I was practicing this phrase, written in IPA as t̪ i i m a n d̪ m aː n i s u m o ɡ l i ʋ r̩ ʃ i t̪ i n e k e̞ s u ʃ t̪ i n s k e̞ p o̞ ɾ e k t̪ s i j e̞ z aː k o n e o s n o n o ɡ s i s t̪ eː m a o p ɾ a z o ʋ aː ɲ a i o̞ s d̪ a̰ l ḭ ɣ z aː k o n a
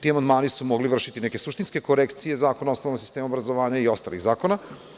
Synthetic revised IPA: t̪ i a m a n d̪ m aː n i s u m o ɡ l i ʋ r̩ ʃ i t̪ i n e k e̞ s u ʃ t̪ i n s k e̞ k o̞ ɾ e k t̪ s i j e̞ z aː k o n a o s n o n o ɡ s i s t̪ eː m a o b ɾ a z o ʋ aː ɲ a i o̞ s t̪ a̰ l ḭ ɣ z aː k o n a